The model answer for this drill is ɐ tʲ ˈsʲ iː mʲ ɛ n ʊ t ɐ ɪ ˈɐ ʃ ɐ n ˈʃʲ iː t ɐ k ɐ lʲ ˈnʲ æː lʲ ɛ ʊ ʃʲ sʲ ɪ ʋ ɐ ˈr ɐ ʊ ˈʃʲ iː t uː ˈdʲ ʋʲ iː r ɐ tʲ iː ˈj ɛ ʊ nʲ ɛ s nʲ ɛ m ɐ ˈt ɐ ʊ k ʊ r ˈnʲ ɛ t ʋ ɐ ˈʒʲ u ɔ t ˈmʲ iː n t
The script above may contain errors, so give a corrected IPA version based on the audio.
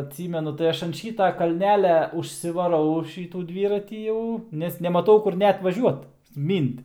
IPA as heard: ɐ tʲ ˈsʲ iː mʲ ɛ n ʊ t ɐ ɪ ˈɐ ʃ ɐ n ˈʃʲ iː t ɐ k ɐ lʲ ˈnʲ æː lʲ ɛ ʊ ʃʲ sʲ ɪ ʋ ɐ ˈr ɐ ʊ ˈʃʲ iː t uː ˈdʲ ʋʲ iː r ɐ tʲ iː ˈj ɛ ʊ nʲ ɛ s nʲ ɛ m ɐ ˈt ɐ ʊ k ʊ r ˈnʲ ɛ t ʋ ɐ ˈʒʲ u ɔ t ˈmʲ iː n t